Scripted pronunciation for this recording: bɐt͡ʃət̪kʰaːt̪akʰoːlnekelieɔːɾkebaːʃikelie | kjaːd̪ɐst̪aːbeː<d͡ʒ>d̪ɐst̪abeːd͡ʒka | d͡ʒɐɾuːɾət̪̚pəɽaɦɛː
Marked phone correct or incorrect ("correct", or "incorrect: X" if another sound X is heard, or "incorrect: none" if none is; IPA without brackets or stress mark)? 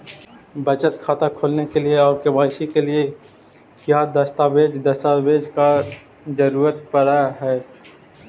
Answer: correct